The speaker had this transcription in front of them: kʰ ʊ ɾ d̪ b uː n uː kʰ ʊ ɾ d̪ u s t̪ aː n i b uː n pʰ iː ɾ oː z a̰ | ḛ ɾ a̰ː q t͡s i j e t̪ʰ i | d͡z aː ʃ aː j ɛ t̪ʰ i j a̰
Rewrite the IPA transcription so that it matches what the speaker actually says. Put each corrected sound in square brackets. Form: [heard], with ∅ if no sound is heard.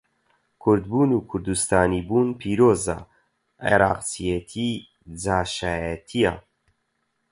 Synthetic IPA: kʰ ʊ ɾ d̪ b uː n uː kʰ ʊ ɾ d̪ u s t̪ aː n i b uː n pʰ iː ɾ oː z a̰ | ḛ ɾ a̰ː q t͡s i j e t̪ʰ i | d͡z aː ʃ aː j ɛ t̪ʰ i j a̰